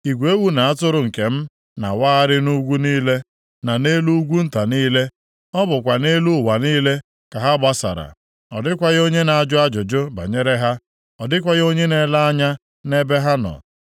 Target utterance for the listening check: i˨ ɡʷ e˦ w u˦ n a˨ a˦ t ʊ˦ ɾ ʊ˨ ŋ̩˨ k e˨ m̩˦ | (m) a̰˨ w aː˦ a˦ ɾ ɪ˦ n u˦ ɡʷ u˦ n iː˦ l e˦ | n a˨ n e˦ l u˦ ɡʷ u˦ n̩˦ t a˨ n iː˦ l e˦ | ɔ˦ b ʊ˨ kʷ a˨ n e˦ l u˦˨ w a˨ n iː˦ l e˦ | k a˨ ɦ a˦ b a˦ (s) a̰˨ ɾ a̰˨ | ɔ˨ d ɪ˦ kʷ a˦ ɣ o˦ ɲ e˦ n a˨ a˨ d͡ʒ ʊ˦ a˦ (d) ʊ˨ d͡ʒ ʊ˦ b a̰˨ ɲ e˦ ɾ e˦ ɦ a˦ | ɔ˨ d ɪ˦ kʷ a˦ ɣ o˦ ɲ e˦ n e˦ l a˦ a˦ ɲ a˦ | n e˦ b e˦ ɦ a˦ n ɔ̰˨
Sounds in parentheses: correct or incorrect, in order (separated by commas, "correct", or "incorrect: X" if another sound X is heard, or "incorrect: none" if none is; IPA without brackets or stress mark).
incorrect: n, correct, incorrect: d͡ʒ